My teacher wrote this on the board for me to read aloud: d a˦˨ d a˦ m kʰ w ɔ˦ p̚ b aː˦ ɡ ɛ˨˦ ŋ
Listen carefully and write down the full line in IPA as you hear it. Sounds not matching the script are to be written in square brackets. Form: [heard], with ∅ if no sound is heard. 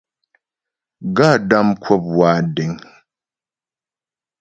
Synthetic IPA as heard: [ɡ] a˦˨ d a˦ m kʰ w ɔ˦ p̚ [w] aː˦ [d] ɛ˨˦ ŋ

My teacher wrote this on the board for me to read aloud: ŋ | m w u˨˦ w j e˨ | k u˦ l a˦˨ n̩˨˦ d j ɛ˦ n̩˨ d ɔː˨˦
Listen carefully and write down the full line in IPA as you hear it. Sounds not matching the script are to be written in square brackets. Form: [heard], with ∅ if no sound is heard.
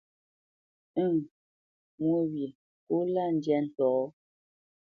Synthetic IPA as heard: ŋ | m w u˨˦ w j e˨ | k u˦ l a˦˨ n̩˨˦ d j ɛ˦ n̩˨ [t] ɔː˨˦

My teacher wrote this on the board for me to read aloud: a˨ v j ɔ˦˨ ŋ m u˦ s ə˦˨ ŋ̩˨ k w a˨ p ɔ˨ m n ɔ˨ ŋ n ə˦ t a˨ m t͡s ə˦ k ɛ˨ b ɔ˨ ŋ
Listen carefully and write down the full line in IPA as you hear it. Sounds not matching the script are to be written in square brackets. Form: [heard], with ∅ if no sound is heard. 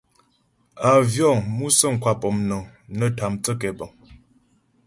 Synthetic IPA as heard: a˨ v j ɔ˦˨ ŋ m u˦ s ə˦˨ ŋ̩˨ k w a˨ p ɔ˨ m n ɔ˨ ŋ n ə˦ t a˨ m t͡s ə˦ k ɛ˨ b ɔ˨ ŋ

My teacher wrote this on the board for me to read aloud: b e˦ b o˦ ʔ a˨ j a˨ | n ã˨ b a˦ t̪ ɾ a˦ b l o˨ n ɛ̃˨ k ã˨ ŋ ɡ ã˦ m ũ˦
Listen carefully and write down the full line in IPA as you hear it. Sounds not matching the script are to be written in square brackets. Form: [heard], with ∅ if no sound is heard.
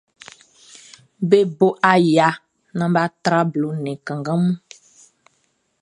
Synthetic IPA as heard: b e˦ b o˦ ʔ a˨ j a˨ | n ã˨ b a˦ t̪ ɾ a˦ b l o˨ n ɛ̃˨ k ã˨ ŋ ɡ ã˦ m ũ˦

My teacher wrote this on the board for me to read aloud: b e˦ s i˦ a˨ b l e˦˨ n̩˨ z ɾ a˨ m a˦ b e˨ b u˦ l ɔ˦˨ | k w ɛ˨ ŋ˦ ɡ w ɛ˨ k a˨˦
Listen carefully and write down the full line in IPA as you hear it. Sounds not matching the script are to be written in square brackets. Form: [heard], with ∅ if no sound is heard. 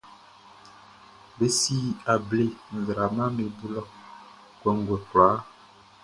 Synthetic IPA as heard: b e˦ s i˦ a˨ b l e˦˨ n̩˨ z ɾ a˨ m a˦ [m] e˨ b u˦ l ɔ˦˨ | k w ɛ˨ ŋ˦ ɡ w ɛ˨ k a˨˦

